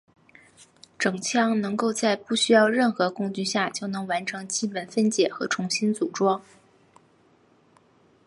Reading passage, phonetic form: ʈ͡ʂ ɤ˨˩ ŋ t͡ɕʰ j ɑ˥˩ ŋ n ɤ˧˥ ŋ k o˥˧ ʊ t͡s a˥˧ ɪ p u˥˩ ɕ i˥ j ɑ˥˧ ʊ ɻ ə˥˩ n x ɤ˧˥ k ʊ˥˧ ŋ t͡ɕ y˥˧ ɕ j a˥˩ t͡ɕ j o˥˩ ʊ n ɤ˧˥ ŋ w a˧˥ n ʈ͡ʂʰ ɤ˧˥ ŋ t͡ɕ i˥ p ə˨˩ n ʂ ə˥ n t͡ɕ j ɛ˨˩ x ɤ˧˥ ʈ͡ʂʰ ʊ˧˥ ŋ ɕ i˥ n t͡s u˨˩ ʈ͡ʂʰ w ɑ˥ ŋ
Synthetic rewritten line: ʈ͡ʂ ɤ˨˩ ŋ t͡ɕʰ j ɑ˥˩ ŋ n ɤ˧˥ ŋ k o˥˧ ʊ t͡s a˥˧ ɪ p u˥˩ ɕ y˥ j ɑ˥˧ ʊ ɻ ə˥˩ n x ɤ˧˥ k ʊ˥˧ ŋ t͡ɕ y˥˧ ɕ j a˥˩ t͡ɕ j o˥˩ ʊ n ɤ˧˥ ŋ w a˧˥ n ʈ͡ʂʰ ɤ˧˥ ŋ t͡ɕ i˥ p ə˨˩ n f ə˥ n t͡ɕ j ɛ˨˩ x ɤ˧˥ ʈ͡ʂʰ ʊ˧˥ ŋ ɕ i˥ n t͡s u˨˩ ʈ͡ʂ w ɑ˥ ŋ